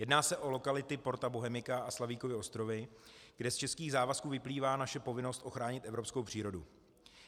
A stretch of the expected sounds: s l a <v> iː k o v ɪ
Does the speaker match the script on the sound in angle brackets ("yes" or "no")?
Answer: yes